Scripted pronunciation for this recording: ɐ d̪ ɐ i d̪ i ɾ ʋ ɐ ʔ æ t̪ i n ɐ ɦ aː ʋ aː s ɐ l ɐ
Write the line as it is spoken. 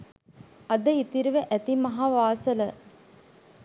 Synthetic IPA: ɐ d̪ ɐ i t̪ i ɾ ʋ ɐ ʔ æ t̪ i m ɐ ɦ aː ʋ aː s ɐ l ɐ